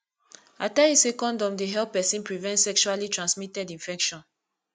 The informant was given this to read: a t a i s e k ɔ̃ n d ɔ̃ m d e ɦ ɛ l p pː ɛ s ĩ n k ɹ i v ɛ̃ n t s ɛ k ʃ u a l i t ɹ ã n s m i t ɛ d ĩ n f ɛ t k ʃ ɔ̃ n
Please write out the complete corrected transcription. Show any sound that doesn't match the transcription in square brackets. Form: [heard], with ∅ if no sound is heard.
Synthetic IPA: a t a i s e k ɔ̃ n d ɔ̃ m d e ɦ ɛ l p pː ɛ s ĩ n [p] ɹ i v ɛ̃ n t s ɛ k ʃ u a l i t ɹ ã n s m i t ɛ d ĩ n f ɛ [∅] k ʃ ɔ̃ n